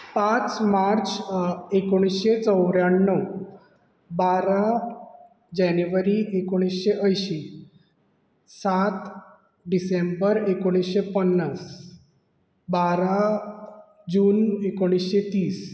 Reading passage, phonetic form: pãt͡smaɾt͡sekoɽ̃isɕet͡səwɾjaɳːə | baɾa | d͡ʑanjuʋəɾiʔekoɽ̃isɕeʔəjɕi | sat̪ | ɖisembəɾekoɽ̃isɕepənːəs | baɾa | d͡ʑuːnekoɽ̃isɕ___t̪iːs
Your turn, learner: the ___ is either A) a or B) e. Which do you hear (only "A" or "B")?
B